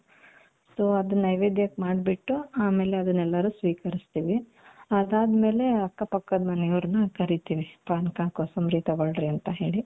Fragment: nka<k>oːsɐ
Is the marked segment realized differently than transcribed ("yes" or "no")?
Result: no